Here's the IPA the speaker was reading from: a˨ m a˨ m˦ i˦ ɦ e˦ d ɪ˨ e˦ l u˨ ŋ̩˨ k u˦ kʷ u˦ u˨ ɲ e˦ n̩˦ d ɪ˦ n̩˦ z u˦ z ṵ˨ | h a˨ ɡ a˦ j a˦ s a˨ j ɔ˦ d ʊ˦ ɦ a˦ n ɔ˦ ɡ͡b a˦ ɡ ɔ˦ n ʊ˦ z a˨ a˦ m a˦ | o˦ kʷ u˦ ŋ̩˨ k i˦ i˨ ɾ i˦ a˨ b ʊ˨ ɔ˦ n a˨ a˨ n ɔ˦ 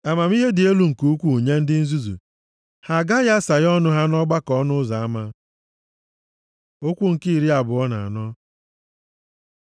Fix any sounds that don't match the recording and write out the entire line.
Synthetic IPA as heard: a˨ m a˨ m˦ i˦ ɦ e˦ d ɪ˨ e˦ l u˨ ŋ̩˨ k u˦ kʷ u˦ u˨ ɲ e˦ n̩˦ d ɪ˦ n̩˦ z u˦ z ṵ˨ | h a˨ ɡ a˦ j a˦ s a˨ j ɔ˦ n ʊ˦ ɦ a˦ n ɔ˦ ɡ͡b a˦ k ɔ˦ n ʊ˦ z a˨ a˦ m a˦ | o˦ kʷ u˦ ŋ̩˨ k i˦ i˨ ɾ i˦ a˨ b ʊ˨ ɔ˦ n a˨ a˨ n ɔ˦

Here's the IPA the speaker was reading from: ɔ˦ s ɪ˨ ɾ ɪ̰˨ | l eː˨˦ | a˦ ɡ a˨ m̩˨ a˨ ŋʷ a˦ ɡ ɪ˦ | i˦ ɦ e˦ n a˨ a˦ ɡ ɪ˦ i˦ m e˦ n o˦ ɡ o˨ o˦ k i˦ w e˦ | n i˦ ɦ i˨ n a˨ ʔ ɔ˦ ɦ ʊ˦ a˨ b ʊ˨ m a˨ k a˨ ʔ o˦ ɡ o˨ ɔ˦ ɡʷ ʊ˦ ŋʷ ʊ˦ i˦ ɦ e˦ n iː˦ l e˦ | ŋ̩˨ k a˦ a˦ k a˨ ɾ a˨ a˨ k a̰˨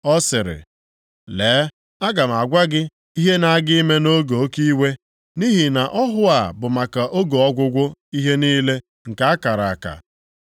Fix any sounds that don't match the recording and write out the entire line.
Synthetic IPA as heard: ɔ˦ s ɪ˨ ɾ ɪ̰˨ | l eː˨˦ | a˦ ɡ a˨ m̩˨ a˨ ɡʷ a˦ ɡ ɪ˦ | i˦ ɦ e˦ n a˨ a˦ ɡ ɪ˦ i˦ m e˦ n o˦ ɡ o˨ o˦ k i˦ w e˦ | n i˦ ɦ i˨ n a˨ ʔ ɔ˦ ɦ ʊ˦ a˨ b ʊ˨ m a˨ k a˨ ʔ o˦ ɡ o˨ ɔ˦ ɡʷ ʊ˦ ɡʷ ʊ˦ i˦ ɦ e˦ n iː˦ l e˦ | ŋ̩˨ k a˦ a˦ k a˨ ɾ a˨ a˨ k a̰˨

